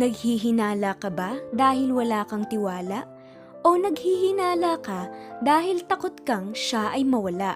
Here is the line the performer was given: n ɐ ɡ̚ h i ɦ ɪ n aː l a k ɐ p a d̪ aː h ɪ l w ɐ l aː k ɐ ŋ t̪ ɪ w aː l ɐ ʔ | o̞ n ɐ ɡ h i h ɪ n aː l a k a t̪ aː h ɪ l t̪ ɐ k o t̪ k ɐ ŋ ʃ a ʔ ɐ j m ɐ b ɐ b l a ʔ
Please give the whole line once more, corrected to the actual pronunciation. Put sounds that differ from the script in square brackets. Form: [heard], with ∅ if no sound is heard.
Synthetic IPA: n ɐ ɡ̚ h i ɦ ɪ n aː l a k ɐ [b] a d̪ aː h ɪ l w ɐ l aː k ɐ ŋ t̪ ɪ w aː l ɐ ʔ | o̞ n ɐ ɡ h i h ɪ n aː l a k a [d̪] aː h ɪ l t̪ ɐ k o t̪ k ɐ ŋ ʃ a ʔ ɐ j m ɐ [w] ɐ [∅] l a ʔ